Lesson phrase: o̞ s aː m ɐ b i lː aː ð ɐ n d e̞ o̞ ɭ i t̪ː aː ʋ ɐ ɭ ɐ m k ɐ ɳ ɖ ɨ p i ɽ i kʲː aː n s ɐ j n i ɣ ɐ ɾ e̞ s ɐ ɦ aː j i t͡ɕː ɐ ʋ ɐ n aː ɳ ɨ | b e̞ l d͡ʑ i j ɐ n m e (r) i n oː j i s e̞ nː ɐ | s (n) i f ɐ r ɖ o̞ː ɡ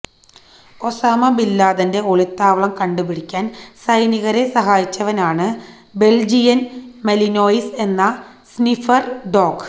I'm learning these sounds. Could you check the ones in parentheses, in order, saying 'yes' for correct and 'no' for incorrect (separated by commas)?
no, yes